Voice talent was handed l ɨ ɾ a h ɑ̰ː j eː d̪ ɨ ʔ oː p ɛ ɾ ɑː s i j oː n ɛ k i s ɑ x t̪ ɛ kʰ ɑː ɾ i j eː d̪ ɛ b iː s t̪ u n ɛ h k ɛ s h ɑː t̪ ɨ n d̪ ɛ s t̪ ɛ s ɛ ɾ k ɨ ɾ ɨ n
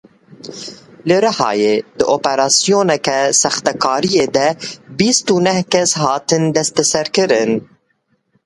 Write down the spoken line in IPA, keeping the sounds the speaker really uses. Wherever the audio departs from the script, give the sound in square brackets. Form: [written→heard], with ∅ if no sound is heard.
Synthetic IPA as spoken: l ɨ ɾ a h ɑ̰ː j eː d̪ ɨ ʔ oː p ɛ ɾ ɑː s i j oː n ɛ k [i→ɛ] s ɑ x t̪ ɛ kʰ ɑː ɾ i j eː d̪ ɛ b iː s t̪ u n ɛ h k ɛ s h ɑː t̪ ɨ n d̪ ɛ s t̪ ɛ s ɛ ɾ k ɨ ɾ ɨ n